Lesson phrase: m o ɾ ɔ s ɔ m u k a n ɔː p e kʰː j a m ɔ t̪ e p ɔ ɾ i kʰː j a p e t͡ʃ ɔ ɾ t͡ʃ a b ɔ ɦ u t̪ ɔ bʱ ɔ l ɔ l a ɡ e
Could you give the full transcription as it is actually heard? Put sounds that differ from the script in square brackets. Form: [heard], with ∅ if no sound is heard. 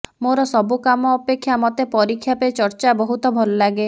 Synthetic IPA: m o ɾ ɔ s ɔ [b] u k a [m] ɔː p e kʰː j a m ɔ t̪ e p ɔ ɾ i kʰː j a p e t͡ʃ ɔ ɾ t͡ʃ a b ɔ ɦ u t̪ ɔ bʱ ɔ l ɔ l a ɡ e